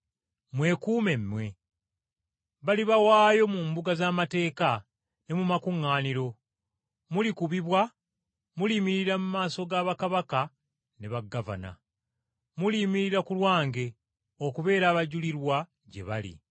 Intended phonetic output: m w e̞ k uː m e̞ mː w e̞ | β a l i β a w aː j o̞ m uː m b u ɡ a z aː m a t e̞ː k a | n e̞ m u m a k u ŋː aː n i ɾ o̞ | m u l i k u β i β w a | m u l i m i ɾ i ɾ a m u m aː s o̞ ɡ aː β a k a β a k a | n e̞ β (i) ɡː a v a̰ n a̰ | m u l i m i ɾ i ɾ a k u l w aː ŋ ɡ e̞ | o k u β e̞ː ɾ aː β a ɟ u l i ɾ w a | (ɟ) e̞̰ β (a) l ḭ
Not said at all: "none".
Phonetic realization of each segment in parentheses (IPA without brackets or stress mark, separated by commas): a, ɟ, a